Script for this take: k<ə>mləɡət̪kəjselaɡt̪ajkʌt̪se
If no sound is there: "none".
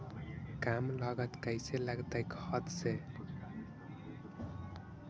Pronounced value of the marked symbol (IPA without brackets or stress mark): a